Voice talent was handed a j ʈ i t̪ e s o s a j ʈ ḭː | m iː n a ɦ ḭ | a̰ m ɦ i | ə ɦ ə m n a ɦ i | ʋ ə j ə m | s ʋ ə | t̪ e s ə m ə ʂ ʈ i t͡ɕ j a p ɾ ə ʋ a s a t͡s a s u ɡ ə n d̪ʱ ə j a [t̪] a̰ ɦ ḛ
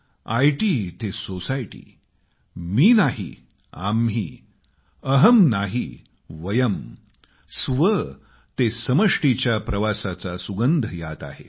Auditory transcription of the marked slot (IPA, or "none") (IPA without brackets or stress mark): t̪